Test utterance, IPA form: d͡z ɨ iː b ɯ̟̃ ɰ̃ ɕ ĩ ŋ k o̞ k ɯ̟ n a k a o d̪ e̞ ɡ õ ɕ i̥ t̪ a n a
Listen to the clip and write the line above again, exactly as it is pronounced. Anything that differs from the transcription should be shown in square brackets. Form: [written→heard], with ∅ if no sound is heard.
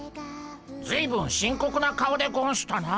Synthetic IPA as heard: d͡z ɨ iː b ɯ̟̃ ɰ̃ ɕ ĩ ŋ k o̞ k ɯ̟ n a k a o d̪ e̞ ɡ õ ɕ i̥ t̪ a n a

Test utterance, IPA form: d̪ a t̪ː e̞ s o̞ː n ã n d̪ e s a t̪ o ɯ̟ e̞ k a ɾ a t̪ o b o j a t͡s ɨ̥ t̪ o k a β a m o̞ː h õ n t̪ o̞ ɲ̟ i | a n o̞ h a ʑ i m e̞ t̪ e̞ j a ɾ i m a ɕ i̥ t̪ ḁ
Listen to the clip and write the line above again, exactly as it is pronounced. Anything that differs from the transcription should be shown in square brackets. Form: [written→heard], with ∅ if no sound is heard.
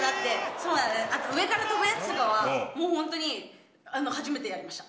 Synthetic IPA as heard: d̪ a t̪ː e̞ s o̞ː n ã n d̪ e s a t̪ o ɯ̟ e̞ k a ɾ a t̪ o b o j a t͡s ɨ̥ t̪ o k a β a m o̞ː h õ n t̪ o̞ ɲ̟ i | a n o̞ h a ʑ i m e̞ t̪ e̞ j a ɾ i m a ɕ i̥ t̪ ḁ

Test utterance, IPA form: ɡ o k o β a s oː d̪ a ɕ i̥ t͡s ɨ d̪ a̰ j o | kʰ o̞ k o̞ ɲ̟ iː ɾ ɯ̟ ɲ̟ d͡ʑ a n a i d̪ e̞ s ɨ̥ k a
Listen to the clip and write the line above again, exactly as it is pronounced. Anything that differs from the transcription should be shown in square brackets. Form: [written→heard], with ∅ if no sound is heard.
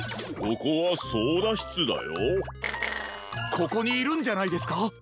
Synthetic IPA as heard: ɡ o k o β a s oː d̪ a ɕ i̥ t͡s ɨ d̪ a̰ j o | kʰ o̞ k o̞ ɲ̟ iː ɾ [ɯ̟→ɯ̟̃] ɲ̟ d͡ʑ a n a i d̪ e̞ s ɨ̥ k a

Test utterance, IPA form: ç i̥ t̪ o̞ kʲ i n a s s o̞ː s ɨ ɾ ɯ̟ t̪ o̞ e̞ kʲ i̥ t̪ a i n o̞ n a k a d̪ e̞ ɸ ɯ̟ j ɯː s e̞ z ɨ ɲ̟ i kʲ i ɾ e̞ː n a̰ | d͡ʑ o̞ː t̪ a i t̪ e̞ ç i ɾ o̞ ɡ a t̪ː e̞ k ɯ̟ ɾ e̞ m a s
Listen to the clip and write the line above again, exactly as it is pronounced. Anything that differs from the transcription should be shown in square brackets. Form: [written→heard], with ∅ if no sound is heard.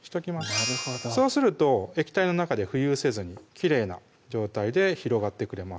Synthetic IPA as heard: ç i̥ t̪ o̞ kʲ i [n→m] a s s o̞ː s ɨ ɾ ɯ̟ t̪ o̞ e̞ kʲ i̥ t̪ a i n o̞ n a k a d̪ e̞ ɸ ɯ̟ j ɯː s e̞ z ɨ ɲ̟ i kʲ i ɾ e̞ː n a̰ | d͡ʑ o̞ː t̪ a i [t̪→d̪] e̞ ç i ɾ o̞ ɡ a t̪ː e̞ k ɯ̟ ɾ e̞ m a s

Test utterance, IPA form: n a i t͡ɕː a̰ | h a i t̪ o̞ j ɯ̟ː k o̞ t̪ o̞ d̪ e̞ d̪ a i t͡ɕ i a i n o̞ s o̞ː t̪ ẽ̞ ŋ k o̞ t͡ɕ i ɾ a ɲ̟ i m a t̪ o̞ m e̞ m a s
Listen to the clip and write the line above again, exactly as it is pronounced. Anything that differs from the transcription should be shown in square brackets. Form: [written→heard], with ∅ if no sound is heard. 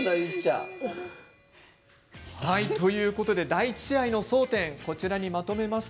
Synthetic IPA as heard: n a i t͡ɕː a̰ | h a i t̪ o̞ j ɯ̟ː k o̞ t̪ o̞ d̪ e̞ d̪ a i t͡ɕ i a i n o̞ s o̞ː t̪ ẽ̞ ŋ k o̞ t͡ɕ i ɾ a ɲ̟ i m a t̪ o̞ m e̞ m a s

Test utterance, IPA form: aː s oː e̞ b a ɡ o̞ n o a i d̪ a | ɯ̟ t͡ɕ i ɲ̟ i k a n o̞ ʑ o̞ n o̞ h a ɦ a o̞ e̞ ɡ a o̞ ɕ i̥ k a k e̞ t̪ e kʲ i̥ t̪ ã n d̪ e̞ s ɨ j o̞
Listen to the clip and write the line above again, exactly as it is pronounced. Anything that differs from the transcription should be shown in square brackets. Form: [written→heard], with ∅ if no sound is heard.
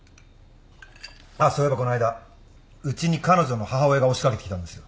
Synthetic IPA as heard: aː s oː e̞ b a [ɡ→k] o̞ n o a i d̪ a | ɯ̟ t͡ɕ i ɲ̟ i k a n o̞ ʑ o̞ n o̞ h a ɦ a o̞ e̞ ɡ a o̞ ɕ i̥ k a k e̞ t̪ e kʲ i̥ t̪ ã n d̪ e̞ s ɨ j o̞

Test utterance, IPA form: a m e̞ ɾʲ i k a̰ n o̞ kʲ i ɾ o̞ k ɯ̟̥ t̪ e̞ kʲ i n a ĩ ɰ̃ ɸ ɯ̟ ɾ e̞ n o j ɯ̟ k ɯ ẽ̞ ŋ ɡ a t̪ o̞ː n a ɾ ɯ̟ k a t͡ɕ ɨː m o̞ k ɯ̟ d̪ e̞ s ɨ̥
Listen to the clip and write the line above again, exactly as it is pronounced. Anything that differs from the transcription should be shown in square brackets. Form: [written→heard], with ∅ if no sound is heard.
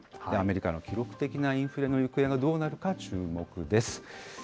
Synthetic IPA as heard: a m e̞ ɾʲ i k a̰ n o̞ kʲ i ɾ o̞ k ɯ̟̥ t̪ e̞ kʲ i n a ĩ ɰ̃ ɸ ɯ̟ ɾ e̞ n o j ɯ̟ k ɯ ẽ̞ ŋ ɡ a [t̪→d̪] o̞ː n a ɾ ɯ̟ k a t͡ɕ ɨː m o̞ k ɯ̟ d̪ e̞ s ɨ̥

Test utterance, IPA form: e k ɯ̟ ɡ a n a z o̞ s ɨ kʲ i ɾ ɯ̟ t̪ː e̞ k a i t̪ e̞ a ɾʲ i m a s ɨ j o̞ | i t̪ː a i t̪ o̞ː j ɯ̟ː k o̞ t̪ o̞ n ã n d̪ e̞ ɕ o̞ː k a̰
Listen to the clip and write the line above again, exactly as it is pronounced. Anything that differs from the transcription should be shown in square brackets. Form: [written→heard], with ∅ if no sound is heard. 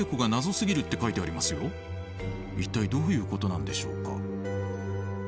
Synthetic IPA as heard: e k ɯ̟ ɡ a n a z o̞ s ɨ [kʲ→ɡʲ] i ɾ ɯ̟ t̪ː e̞ k a i t̪ e̞ a ɾʲ i m a s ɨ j o̞ | i t̪ː a i [t̪→d̪] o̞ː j ɯ̟ː k o̞ t̪ o̞ n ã n d̪ e̞ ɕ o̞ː k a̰

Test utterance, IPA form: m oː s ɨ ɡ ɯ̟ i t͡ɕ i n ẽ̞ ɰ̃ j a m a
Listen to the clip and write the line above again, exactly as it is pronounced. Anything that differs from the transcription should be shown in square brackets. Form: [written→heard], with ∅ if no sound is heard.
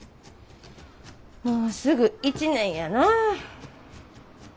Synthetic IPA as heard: m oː s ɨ ɡ ɯ̟ i t͡ɕ i n ẽ̞ ɰ̃ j a [m→n] a

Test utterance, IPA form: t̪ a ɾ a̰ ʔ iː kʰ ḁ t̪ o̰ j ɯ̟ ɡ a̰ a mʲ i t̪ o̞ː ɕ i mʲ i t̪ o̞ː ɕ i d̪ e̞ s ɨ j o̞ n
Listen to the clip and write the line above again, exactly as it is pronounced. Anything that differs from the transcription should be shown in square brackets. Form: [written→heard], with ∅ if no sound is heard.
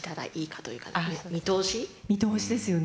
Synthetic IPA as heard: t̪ a ɾ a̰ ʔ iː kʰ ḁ t̪ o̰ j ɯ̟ [ɡ→k] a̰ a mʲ i t̪ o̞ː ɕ i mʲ i t̪ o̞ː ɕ i d̪ e̞ s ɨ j o̞ n

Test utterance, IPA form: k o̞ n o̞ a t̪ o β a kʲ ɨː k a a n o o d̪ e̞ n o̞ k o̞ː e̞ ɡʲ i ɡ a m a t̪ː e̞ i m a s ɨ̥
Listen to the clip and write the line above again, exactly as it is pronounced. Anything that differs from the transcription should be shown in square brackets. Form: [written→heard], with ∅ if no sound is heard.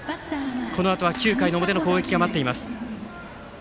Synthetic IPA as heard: k o̞ n o̞ a t̪ o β a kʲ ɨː k a [a→i] n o o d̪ e̞ n o̞ k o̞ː e̞ [ɡʲ→kʲ] i ɡ a m a t̪ː e̞ i m a s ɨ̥

